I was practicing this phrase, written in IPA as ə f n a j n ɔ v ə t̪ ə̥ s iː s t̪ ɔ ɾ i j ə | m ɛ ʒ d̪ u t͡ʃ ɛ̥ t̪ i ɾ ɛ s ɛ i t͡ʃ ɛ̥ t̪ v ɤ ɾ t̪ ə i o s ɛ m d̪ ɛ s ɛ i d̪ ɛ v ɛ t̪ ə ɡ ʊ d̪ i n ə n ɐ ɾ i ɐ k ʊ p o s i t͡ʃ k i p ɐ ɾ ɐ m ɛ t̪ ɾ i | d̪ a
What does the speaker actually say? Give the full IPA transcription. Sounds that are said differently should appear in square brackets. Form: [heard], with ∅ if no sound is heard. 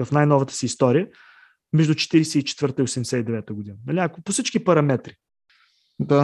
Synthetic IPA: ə f n a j n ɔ v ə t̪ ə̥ s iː s t̪ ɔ ɾ i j ə | m ɛ ʒ d̪ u t͡ʃ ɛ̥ t̪ i ɾ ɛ s ɛ i t͡ʃ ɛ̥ t̪ v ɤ ɾ t̪ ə i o s ɛ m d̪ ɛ s ɛ i d̪ ɛ v ɛ t̪ ə ɡ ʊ d̪ i n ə n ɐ [l] i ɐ k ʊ p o s i t͡ʃ k i p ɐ ɾ ɐ m ɛ t̪ ɾ i | d̪ a